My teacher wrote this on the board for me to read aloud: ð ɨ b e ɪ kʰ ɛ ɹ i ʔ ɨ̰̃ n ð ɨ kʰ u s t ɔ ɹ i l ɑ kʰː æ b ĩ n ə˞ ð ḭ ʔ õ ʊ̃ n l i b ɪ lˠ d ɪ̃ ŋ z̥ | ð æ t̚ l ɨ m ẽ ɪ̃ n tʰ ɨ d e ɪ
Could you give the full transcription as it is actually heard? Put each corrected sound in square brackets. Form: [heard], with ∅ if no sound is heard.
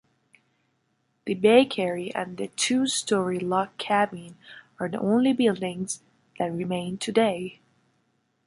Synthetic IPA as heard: ð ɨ b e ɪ kʰ ɛ ɹ i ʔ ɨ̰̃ n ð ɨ [tʰ] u s t ɔ ɹ i l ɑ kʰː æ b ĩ n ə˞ ð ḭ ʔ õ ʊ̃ n l i b ɪ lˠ d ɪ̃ ŋ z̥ | ð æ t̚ [ɹ] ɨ m ẽ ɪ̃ n tʰ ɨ d e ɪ